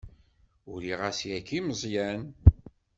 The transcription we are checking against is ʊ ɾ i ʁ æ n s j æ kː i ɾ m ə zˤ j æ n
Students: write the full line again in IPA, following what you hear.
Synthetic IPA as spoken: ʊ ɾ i ʁ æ s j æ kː i m ə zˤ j æ n